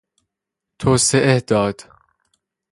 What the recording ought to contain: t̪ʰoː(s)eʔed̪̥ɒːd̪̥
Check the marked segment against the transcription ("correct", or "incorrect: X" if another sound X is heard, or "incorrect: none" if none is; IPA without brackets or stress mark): correct